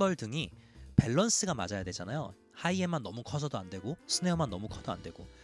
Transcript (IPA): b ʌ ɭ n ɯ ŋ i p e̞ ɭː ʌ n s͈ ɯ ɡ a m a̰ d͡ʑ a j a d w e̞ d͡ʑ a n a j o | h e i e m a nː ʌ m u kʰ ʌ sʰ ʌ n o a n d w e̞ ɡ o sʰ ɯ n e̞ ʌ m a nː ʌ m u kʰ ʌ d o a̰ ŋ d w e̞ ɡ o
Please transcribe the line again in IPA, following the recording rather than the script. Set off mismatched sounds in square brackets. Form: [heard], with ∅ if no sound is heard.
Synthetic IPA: b ʌ ɭ [d] ɯ ŋ i p e̞ ɭː ʌ n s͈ ɯ ɡ a m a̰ d͡ʑ a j a d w e̞ d͡ʑ a n a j o | h [a] i e m a nː ʌ m u kʰ ʌ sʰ ʌ [d] o a n d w e̞ ɡ o sʰ ɯ n e̞ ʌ m a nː ʌ m u kʰ ʌ d o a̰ [n] d w e̞ ɡ o

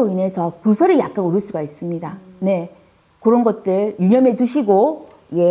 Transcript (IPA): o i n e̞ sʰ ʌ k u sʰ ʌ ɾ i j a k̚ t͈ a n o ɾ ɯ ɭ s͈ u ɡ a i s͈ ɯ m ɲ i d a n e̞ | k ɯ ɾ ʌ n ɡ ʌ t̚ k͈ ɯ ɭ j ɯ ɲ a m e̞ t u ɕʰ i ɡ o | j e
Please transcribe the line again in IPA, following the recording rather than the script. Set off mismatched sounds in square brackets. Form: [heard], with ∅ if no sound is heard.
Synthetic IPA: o i n e̞ sʰ ʌ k u sʰ ʌ ɾ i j a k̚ [k͈] a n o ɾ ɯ ɭ s͈ u ɡ a i s͈ ɯ m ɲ i d a n e̞ | k ɯ ɾ ʌ n ɡ ʌ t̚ [t͈] ɯ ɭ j [u] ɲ [ʌ] m e̞ t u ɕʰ i ɡ o | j e

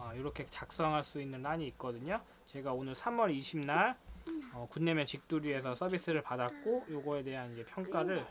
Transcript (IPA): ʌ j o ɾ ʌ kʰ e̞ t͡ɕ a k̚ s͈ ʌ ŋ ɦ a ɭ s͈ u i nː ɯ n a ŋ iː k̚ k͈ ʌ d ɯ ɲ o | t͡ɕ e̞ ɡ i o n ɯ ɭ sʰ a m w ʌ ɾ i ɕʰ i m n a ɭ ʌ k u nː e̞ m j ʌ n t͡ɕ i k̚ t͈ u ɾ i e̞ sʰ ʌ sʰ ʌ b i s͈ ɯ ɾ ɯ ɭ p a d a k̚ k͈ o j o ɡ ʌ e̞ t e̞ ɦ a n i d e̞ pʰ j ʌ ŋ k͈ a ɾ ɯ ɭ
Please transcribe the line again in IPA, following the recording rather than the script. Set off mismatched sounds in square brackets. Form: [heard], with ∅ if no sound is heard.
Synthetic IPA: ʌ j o ɾ ʌ kʰ e̞ t͡ɕ a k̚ s͈ ʌ ŋ ɦ a ɭ s͈ u i nː ɯ n a [ɲ] iː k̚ k͈ ʌ d ɯ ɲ o | t͡ɕ e̞ ɡ [a] o n ɯ ɭ sʰ a m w ʌ ɾ i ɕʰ i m n a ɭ ʌ k u nː e̞ m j ʌ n t͡ɕ i k̚ t͈ u ɾ i e̞ sʰ ʌ sʰ ʌ b i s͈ ɯ ɾ ɯ ɭ p a d a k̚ k͈ o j o ɡ ʌ e̞ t e̞ ɦ a n i [d͡ʑ] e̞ pʰ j ʌ ŋ k͈ a ɾ ɯ ɭ

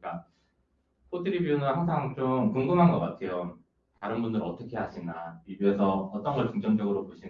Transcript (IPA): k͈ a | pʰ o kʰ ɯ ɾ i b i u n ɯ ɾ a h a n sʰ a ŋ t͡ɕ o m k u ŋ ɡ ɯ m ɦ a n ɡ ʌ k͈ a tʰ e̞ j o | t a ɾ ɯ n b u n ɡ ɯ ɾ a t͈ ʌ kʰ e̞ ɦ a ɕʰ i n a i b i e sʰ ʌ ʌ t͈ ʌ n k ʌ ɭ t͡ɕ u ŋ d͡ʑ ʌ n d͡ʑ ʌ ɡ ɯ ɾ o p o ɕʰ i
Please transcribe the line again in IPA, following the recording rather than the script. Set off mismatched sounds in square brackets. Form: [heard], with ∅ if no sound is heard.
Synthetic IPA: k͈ a | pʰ o [tʰ] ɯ ɾ i b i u n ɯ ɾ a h a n sʰ a ŋ t͡ɕ o m k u ŋ ɡ ɯ m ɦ a n ɡ ʌ k͈ a tʰ e̞ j o | t a ɾ ɯ n b u n [d] ɯ ɾ [ʌ] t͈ ʌ kʰ e̞ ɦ a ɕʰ i n a i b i e sʰ ʌ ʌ t͈ ʌ n [ɡ] ʌ ɭ t͡ɕ u ŋ d͡ʑ ʌ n d͡ʑ ʌ ɡ ɯ ɾ o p o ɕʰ i

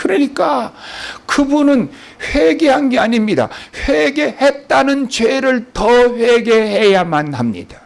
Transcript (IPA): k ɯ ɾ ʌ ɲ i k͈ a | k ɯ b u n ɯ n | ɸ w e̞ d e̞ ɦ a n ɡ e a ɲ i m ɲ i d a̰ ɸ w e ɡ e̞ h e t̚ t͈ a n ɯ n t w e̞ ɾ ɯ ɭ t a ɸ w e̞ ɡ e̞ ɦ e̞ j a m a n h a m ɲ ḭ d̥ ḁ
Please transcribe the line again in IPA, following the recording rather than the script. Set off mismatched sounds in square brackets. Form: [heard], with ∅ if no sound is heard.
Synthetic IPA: k ɯ ɾ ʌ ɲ i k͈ a | k ɯ b u n ɯ n | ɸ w e̞ [ɡ] e̞ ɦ a n ɡ e a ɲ i m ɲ i d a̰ ɸ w e ɡ e̞ h e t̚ t͈ a n ɯ n [t͡ɕ] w e̞ ɾ ɯ ɭ t [ʌ] ɸ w e̞ ɡ e̞ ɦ e̞ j a m a n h a m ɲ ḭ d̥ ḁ

